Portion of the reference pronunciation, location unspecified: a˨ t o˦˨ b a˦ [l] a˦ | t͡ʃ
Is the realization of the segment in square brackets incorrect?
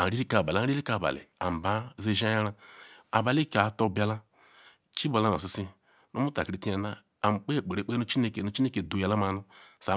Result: no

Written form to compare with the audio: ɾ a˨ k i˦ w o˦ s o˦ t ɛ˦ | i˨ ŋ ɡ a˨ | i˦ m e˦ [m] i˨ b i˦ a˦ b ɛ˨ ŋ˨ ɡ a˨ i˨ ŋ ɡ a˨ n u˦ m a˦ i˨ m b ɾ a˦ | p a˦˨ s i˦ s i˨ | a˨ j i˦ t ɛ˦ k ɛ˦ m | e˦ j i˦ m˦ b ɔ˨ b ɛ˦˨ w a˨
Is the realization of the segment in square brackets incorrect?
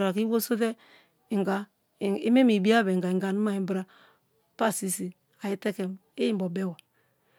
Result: no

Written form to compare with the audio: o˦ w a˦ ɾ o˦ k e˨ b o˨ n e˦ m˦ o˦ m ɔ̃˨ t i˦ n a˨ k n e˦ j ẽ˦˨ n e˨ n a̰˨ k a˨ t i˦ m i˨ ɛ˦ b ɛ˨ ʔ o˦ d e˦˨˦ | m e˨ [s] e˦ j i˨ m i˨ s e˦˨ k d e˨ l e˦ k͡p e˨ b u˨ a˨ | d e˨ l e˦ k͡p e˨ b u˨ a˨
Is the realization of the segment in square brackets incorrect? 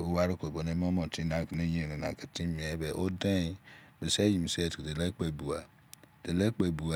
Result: no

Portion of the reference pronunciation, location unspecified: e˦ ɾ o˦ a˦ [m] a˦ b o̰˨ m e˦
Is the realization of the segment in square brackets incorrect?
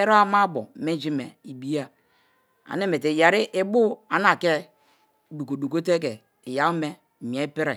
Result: no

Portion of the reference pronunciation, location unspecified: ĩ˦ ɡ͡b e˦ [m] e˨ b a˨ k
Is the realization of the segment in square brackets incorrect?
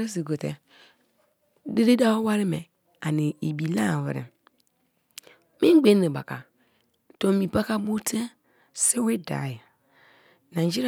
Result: yes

